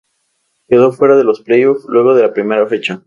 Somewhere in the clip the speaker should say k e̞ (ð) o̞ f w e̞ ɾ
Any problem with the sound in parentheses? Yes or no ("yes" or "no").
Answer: no